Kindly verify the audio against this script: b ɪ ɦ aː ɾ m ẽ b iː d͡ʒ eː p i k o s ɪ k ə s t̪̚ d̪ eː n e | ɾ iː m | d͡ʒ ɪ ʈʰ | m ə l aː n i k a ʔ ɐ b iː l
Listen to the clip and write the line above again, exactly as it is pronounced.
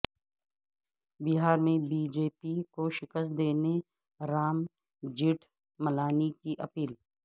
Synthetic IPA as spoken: b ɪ ɦ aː ɾ m ẽ b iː d͡ʒ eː p i k o ʃ ɪ k ə s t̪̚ d̪ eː n e | ɾ aː m | d͡ʒ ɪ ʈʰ | m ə l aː n i k i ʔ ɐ p iː l

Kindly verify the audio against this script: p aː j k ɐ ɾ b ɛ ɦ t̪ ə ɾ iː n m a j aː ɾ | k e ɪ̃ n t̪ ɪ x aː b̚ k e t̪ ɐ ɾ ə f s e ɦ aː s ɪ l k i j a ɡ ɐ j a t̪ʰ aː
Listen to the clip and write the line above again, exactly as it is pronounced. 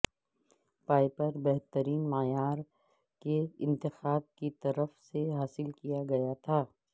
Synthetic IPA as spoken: p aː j p ɐ ɾ b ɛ ɦ t̪ ə ɾ iː n m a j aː ɾ | k e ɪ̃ n t̪ ɪ x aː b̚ k i t̪ ɐ ɾ ə f s e ɦ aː s ɪ l k i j a ɡ ɐ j a t̪ʰ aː

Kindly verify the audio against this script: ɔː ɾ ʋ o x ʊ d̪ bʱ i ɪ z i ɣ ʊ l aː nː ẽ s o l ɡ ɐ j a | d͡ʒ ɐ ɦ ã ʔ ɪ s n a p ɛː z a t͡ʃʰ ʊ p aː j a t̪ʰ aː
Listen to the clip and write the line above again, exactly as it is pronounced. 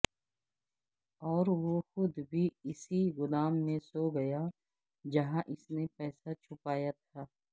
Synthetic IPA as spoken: ɔː ɾ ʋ o x ʊ d̪ bʱ i ɪ s i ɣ ʊ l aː mː ẽ s o ɡ ɐ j a | d͡ʒ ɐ ɦ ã ʔ ɪ s n e p ɛː s a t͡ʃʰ ʊ p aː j a t̪ʰ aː

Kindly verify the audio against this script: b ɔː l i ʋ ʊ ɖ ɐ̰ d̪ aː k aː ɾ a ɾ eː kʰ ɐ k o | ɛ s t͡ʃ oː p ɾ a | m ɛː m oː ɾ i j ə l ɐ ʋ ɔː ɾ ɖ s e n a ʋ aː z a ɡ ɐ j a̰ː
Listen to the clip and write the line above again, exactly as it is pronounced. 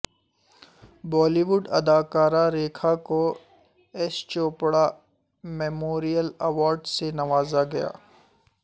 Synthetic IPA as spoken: b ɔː l i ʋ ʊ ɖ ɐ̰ d̪ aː k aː ɾ a ɾ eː kʰ a k o | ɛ s t͡ʃ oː p ɽ a | m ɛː m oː ɾ i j ə l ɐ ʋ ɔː ɾ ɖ s e n ɐ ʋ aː z a ɡ ɐ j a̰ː

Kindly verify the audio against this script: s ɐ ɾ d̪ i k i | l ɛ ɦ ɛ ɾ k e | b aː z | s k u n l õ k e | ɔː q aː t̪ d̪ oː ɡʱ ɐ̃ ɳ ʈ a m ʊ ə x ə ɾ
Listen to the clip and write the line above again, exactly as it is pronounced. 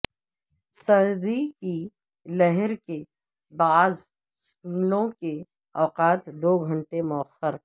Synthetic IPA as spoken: s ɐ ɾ d̪ i k i | l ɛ ɦ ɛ ɾ k e | b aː z | s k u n l õ k e | ɔː q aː t̪ d̪ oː ɡʱ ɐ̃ ɳ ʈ e m ʊ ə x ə ɾ

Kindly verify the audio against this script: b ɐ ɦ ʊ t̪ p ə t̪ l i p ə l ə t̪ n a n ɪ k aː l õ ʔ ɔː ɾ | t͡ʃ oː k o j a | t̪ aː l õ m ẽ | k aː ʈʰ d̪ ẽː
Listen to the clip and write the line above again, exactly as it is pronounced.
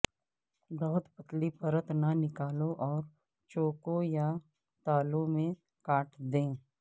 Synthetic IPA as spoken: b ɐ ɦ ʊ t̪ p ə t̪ l i p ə ɾ ə t̪ n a n ɪ k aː l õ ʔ ɔː ɾ | t͡ʃ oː k o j a | t̪ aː l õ m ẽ | k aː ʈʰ d̪ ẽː

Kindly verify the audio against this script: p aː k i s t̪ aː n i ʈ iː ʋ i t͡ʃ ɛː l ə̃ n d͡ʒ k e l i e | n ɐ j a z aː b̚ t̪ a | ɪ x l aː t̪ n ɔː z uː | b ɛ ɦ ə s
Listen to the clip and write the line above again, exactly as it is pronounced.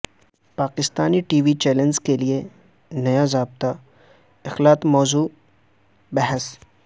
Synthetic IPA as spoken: p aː k ɪ s t̪ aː n i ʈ iː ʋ i t͡ʃ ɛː l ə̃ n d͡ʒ k e l i e | n ɐ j a z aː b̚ t̪ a | ɪ x l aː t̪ m ɔː z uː | b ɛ ɦ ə s

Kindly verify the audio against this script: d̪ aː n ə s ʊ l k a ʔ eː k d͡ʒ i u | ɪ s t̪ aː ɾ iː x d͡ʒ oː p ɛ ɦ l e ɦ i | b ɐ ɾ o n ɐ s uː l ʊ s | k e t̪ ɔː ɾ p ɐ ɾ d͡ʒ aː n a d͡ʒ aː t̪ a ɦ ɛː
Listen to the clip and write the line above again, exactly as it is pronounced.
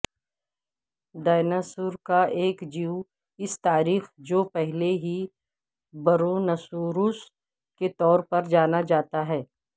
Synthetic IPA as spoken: d̪ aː n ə s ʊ ɾ k a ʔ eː k d͡ʒ i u | ɪ s t̪ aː ɾ iː x d͡ʒ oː p ɛ ɦ l e ɦ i | b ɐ ɾ o n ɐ s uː ɾ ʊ s | k e t̪ ɔː ɾ p ɐ ɾ d͡ʒ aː n a d͡ʒ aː t̪ a ɦ ɛː

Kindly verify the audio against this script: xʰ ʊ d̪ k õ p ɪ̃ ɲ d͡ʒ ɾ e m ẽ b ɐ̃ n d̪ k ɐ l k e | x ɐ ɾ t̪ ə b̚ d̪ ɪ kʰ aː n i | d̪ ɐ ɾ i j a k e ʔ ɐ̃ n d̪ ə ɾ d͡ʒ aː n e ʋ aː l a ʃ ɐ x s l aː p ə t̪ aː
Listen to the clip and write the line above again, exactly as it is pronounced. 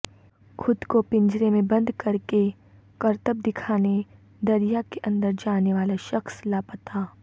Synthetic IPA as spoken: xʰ ʊ d̪ k o p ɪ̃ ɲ d͡ʒ ɾ e m ẽ b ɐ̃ n d̪ k ɐ ɾ k e | k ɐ ɾ t̪ ə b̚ d̪ ɪ kʰ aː n e | d̪ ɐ ɾ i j a k e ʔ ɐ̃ n d̪ ə ɾ d͡ʒ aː n e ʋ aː l a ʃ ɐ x s l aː p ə t̪ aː

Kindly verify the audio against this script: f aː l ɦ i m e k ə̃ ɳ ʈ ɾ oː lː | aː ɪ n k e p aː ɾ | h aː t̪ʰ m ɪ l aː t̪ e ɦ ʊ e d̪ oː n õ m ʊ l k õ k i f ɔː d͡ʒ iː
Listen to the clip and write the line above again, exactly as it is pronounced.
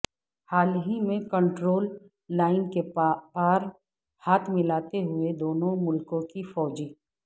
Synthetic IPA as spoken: h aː l ɦ i m ẽ k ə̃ ɳ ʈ ɾ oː lː | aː ɪ n k e p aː ɾ | h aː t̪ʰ m ɪ l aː t̪ e ɦ ʊ e d̪ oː n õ m ʊ l k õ k i f ɔː d͡ʒ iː

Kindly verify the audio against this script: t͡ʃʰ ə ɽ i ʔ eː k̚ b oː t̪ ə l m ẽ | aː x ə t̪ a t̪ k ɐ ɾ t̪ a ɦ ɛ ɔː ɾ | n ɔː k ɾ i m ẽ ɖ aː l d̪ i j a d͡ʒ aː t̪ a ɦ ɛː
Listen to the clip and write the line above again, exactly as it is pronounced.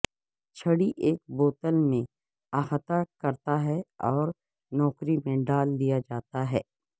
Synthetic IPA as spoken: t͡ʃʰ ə ɽ i ʔ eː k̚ b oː t̪ ə l m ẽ | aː x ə t̪ a k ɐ ɾ t̪ a ɦ ɛ ɔː ɾ | n ɔː k ɾ i m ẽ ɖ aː l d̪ i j a d͡ʒ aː t̪ a ɦ ɛː

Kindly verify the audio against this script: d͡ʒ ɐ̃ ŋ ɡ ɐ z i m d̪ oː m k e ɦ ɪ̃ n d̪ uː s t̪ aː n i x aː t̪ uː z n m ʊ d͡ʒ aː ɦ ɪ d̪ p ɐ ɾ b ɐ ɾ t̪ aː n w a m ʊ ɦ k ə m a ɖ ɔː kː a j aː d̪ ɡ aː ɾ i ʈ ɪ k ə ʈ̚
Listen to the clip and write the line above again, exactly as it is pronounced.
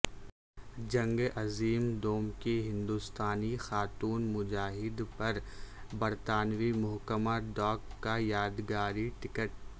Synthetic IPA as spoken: d͡ʒ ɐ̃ ŋ ɡ ɐ z iː m d̪ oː m k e ɦ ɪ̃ n d̪ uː s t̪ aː n i x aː t̪ uː n m ʊ d͡ʒ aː ɦ ɪ d̪ p ɐ ɾ b ɐ ɾ t̪ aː n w i m ʊ ɦ k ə m a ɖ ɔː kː a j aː d̪ ɡ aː ɾ i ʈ ɪ k ə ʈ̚

